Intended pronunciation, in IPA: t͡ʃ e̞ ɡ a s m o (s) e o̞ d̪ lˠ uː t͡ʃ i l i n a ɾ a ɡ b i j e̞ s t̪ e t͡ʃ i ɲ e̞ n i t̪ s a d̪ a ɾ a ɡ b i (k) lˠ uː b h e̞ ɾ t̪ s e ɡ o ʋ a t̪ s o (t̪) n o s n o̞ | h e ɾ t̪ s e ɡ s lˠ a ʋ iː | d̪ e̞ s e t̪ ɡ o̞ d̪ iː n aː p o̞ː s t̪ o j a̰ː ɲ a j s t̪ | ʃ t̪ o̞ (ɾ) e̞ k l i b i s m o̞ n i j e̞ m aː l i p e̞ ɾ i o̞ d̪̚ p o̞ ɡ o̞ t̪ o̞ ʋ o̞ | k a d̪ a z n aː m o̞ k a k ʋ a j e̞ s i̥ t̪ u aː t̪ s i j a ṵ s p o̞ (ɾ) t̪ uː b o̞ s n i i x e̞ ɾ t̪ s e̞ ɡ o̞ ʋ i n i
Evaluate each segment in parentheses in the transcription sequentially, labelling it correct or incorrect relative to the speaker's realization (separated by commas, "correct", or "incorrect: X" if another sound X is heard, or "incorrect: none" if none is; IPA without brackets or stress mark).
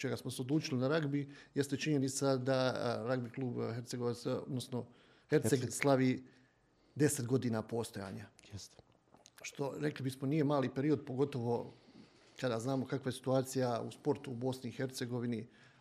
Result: correct, correct, incorrect: d̪, correct, correct